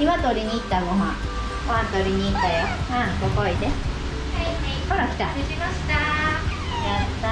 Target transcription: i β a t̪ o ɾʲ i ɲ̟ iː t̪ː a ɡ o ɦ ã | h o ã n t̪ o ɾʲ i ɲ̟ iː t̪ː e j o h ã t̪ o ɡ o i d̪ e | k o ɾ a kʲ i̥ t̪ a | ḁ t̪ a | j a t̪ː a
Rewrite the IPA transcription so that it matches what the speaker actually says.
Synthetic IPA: i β a t̪ o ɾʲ i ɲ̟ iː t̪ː a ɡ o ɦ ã | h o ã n t̪ o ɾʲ i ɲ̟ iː t̪ː a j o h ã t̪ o k o i d̪ e | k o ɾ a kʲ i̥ t̪ a | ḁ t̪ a | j a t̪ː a